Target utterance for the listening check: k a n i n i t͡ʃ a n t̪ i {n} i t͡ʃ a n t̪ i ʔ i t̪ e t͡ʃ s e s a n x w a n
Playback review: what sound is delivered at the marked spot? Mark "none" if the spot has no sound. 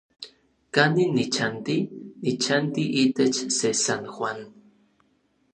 n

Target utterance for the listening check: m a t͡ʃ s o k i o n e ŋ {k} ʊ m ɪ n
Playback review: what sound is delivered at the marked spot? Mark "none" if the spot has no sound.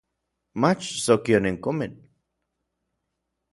k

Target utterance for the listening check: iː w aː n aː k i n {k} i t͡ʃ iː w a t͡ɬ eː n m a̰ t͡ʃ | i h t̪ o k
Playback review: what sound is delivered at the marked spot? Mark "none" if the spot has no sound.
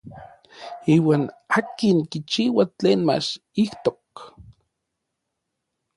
k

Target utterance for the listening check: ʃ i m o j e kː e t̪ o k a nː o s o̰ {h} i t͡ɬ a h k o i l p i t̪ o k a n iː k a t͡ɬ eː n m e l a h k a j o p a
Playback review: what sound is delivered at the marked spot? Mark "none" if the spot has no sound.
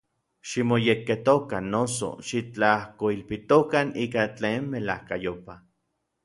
ʃ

